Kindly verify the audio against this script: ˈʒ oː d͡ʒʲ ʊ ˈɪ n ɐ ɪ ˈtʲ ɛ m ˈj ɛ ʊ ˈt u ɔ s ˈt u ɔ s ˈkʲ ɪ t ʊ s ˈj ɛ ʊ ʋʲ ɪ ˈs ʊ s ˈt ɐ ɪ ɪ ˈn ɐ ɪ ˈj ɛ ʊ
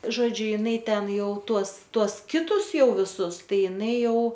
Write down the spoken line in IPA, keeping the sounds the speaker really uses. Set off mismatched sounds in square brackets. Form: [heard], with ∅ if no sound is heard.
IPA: ˈʒ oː d͡ʒʲ ʊ ˈɪ n ɐ ɪ ˈtʲ ɛ [n] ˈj ɛ ʊ ˈt u ɔ s ˈt u ɔ s ˈkʲ ɪ t ʊ s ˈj ɛ ʊ ʋʲ ɪ ˈs ʊ s ˈt ɐ ɪ ɪ ˈn ɐ ɪ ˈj ɛ ʊ